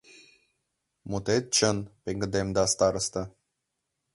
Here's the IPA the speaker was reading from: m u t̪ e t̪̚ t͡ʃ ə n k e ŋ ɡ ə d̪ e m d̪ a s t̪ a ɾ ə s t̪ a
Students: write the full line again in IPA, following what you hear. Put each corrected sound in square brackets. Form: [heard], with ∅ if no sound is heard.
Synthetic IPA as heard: m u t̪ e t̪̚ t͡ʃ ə n [p] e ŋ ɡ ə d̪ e m d̪ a s t̪ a ɾ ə s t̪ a